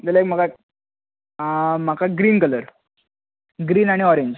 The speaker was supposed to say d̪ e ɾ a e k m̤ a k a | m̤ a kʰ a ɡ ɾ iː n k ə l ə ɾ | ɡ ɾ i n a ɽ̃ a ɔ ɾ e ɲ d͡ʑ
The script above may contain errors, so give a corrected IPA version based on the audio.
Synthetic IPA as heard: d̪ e l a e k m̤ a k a | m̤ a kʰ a ɡ ɾ iː n k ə l ə ɾ | ɡ ɾ iː n a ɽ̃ i ɔ ɾ e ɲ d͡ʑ